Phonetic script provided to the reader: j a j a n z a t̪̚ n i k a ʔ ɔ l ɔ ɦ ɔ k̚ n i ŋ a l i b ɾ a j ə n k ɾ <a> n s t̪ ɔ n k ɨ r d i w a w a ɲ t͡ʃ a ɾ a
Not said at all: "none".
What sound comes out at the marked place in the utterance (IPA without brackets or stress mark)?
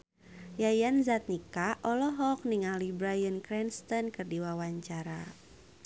ɛ